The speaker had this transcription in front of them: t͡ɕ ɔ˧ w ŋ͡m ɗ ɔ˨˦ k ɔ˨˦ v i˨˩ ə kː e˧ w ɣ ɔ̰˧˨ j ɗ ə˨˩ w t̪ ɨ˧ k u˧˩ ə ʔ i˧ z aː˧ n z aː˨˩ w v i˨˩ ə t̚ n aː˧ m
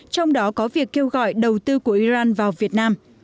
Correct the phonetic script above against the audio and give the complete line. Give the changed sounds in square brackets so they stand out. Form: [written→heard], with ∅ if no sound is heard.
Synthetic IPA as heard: t͡ɕ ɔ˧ w ŋ͡m ɗ ɔ˨˦ k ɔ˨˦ v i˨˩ ə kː e˧ w ɣ ɔ̰˧˨ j ɗ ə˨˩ w t̪ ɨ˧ k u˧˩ ə ʔ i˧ z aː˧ n [z→v] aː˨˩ w v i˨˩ ə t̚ n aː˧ m

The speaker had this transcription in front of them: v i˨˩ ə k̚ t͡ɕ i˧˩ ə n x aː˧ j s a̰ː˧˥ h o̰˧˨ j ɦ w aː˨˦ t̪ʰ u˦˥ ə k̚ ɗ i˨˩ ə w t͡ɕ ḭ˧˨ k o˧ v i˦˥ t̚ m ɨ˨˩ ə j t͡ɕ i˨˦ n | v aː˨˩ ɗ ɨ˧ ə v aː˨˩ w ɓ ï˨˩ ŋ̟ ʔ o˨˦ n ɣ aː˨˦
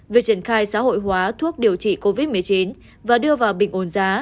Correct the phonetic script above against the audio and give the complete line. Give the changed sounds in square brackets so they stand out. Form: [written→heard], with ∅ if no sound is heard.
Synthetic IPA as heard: v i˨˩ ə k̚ t͡ɕ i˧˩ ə n x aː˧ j s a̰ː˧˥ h o̰˧˨ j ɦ w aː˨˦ t̪ʰ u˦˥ ə k̚ ɗ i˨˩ ə w t͡ɕ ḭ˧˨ k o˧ v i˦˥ t̚ m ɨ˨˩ ə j t͡ɕ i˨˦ n | v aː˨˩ ɗ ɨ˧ ə v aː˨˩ w ɓ ï˨˩ ŋ̟ ʔ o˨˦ n [ɣ→z] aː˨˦

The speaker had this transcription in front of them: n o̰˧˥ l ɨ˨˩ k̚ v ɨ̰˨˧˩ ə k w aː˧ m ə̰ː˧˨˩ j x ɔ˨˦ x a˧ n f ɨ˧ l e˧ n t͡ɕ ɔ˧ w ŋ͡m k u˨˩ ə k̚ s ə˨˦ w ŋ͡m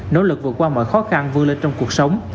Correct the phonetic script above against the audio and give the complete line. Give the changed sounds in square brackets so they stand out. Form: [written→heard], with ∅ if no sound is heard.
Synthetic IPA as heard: n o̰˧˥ l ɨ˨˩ k̚ v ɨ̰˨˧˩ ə k w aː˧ m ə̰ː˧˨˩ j x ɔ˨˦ x a˧ n [f→v] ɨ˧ l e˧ n t͡ɕ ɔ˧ w ŋ͡m k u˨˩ ə k̚ s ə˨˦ w ŋ͡m

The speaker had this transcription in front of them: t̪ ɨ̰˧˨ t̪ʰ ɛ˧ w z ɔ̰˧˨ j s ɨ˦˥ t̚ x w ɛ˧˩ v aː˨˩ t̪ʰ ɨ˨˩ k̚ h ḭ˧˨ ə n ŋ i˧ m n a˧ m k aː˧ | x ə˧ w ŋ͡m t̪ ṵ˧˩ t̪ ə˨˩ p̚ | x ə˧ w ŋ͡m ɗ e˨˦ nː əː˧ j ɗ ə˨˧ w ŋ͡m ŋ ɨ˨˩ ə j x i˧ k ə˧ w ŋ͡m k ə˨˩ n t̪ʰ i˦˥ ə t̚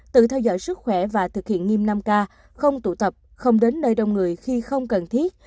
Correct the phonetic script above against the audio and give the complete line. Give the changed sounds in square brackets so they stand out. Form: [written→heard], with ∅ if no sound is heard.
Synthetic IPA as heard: t̪ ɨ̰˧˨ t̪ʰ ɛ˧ w z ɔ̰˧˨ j s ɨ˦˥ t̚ x w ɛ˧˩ v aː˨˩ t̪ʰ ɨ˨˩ k̚ h ḭ˧˨ ə n ŋ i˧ m n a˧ m k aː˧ | x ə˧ w ŋ͡m t̪ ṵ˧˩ t̪ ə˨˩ p̚ | x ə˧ w ŋ͡m ɗ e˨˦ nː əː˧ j ɗ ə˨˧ w ŋ͡m ŋ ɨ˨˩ ə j x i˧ [k→x] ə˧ w ŋ͡m k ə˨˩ n t̪ʰ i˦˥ ə t̚

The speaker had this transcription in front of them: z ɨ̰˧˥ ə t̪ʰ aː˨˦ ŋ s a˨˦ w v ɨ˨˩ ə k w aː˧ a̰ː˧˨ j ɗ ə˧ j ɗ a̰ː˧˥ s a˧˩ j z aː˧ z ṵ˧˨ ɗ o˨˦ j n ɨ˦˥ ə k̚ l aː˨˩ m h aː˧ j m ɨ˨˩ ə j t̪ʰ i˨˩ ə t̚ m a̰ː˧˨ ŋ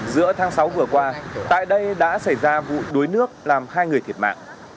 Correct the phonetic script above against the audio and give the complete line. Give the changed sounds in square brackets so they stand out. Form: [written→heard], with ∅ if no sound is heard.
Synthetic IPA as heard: z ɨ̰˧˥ ə t̪ʰ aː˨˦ ŋ s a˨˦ w v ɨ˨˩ ə k w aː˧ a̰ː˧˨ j ɗ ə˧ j ɗ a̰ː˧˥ s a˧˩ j z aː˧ [z→v] ṵ˧˨ ɗ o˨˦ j n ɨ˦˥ ə k̚ l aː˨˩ m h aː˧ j [m→ŋ] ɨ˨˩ ə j t̪ʰ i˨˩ ə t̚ m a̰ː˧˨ ŋ

